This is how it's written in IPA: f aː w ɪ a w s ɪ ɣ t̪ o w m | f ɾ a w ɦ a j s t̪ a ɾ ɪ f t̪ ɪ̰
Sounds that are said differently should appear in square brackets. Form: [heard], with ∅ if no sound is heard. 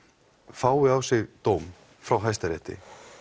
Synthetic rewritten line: f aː w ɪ a w s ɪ ɣ t̪ o w m | f ɾ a w ɦ a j s t̪ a ɾ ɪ [h] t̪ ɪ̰